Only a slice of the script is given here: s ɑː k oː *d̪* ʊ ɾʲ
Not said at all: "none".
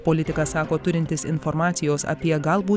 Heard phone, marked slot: t̪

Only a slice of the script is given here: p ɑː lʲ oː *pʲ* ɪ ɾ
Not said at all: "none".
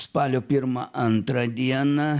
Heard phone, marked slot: pʲ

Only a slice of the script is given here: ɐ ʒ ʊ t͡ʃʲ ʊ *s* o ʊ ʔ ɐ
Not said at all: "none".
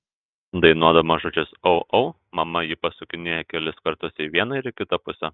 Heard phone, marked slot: s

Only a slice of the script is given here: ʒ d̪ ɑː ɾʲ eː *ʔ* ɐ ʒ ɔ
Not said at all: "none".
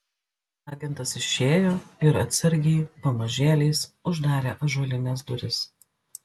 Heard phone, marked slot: ʔ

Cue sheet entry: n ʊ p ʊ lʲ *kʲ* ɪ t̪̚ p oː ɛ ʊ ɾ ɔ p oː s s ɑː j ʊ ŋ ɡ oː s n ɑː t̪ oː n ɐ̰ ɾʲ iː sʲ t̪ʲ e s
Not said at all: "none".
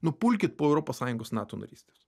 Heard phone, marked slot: kʲ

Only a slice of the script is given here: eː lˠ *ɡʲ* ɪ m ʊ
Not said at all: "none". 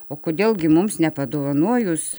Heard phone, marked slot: ɡʲ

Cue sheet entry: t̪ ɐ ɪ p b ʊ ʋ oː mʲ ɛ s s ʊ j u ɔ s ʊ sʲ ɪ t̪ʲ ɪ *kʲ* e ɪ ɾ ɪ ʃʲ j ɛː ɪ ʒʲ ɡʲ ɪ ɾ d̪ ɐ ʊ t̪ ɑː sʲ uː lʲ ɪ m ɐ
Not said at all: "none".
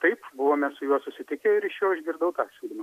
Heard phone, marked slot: kʲ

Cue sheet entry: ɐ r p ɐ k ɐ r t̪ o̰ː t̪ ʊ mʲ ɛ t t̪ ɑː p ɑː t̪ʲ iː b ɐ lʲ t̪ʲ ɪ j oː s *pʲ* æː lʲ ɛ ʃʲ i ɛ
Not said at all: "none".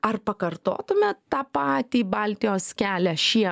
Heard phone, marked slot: kʲ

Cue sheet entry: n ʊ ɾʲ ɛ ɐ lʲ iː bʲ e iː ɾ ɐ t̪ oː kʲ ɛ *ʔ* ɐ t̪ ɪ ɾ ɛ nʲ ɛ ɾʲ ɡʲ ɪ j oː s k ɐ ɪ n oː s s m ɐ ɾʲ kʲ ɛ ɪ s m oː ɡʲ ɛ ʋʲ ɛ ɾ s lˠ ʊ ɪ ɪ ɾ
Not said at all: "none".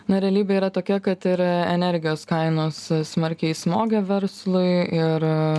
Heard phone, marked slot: k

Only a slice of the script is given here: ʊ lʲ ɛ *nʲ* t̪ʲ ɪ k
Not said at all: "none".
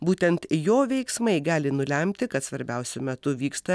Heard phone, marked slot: mʲ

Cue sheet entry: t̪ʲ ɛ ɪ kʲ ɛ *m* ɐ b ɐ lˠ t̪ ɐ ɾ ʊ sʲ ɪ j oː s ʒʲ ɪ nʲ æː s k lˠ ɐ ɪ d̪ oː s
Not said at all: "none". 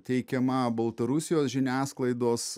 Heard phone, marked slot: m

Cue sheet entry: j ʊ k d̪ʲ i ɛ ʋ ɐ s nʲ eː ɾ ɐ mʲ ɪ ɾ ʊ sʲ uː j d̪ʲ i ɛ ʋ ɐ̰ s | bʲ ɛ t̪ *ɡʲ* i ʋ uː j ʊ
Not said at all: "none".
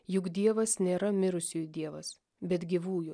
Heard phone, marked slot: ɡʲ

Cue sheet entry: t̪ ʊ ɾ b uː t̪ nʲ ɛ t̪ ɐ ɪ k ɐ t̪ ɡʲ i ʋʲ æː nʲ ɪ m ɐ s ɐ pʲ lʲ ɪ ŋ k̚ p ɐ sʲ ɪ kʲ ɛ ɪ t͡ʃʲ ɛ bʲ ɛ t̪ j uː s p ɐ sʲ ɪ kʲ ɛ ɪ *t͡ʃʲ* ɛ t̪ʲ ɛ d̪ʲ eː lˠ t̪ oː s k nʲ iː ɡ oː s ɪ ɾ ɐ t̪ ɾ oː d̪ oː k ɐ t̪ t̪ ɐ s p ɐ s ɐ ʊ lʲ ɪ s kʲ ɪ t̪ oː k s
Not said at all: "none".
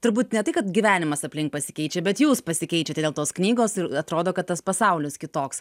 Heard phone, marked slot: t͡ʃʲ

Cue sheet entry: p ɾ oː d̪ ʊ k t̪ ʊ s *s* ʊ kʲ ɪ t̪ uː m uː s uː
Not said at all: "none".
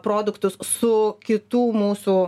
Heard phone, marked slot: s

